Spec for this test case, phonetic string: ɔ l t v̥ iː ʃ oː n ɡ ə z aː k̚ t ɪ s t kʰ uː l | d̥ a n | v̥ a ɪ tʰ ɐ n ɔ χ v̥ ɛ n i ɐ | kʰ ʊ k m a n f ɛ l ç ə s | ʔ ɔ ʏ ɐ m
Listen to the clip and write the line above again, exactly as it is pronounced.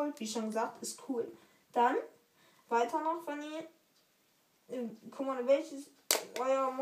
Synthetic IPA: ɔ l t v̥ iː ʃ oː n ɡ ə z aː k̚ t ɪ s t kʰ uː l | d̥ a n | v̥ a ɪ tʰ ɐ n ɔ χ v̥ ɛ n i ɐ | kʰ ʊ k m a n v ɛ l ç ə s | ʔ ɔ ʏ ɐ m